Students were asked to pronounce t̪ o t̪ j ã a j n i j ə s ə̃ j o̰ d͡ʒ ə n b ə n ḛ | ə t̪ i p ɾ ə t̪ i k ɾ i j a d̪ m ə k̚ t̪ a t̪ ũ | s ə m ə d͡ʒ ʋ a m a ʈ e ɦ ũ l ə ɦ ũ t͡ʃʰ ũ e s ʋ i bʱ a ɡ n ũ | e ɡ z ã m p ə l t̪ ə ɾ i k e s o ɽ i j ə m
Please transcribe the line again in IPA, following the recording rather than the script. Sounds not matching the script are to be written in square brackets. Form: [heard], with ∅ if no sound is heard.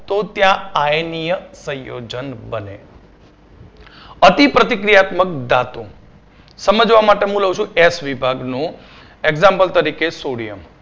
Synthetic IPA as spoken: t̪ o t̪ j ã a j n i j ə s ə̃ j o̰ d͡ʒ ə n b ə n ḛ | ə t̪ i p ɾ ə t̪ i k ɾ i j a [t̪] m ə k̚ [d̪] a t̪ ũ | s ə m ə d͡ʒ ʋ a m a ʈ e ɦ ũ l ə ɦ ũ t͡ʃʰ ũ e s ʋ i bʱ a ɡ n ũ | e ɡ z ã m p ə l t̪ ə ɾ i k e s o ɽ i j ə m